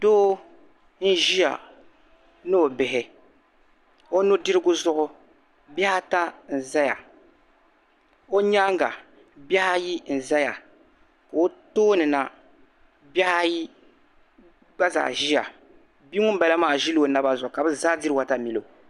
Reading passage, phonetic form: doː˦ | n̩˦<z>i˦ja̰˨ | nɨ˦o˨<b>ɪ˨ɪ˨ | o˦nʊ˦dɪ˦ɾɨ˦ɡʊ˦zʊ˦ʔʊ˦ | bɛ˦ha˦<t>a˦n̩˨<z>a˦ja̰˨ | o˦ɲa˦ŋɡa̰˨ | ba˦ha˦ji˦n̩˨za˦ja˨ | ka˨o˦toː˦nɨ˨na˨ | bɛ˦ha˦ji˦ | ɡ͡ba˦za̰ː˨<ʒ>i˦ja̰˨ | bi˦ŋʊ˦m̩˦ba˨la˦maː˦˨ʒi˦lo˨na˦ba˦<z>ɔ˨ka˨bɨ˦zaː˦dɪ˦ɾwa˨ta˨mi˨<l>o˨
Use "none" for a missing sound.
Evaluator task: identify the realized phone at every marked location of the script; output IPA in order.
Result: ʒ, b, t, z, ʒ, z, l

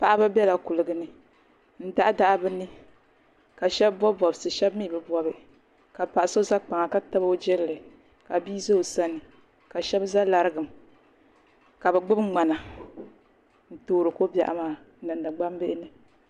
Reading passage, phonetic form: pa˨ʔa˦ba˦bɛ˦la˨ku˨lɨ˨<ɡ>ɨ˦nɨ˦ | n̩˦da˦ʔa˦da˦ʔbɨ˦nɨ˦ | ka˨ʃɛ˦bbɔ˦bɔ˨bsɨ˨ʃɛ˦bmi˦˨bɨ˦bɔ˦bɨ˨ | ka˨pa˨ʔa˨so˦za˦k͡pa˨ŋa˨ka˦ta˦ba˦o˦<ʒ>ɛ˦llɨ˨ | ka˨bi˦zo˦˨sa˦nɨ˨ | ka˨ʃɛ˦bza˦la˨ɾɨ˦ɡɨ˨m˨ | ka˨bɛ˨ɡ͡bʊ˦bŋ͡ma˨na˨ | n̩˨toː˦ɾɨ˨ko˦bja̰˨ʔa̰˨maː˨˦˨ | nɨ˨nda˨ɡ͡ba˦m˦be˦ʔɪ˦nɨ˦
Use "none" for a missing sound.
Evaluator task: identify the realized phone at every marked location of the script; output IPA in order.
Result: ɡ, d͡ʒ

